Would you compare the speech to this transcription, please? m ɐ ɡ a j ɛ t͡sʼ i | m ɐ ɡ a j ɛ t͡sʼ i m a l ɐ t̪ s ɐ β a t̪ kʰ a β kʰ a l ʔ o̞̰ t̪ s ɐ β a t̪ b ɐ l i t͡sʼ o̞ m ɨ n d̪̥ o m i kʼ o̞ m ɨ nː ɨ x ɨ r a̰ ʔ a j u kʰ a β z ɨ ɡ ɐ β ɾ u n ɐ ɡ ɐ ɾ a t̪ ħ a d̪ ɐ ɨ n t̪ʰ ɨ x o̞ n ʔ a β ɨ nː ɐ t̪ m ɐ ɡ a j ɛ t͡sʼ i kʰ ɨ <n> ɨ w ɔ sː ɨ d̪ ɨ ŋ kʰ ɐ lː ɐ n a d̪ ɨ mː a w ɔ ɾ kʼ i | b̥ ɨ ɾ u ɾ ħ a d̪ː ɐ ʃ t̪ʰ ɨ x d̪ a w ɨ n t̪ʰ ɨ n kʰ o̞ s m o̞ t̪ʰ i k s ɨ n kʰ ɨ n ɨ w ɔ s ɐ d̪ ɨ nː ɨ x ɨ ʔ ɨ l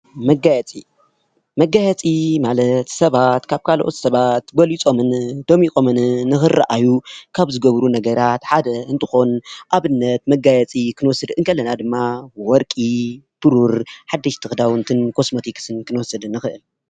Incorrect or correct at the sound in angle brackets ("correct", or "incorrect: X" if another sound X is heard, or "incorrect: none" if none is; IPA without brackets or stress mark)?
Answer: correct